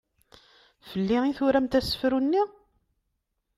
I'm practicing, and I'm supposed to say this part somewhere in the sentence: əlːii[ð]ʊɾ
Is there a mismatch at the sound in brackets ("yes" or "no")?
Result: yes